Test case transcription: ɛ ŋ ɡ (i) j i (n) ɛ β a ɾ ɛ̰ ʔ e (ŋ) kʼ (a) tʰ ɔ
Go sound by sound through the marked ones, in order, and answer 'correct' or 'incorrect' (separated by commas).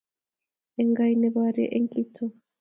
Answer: incorrect, correct, correct, incorrect